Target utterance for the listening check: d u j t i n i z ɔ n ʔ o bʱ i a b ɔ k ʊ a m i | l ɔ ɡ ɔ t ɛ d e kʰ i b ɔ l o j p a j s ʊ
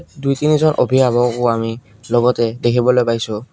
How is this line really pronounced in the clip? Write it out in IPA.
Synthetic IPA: d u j t i n i z ɔ n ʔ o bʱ i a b ɔ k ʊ a m i | l ɔ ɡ ɔ t ɛ d e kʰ i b ɔ l o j p a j s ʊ